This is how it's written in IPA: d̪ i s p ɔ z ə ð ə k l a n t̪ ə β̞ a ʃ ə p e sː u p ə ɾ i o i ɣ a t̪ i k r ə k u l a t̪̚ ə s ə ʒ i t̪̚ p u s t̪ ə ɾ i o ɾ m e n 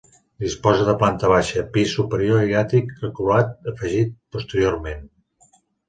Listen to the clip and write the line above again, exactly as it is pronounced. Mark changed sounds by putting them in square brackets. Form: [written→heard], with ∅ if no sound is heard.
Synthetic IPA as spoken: d̪ i s p ɔ z ə ð ə [k→p] l a n t̪ ə β̞ a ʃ ə p [e→i] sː u p ə ɾ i o i ɣ a t̪ i k r ə k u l a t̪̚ ə [s→f] ə ʒ i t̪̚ p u s t̪ ə ɾ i o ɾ m e n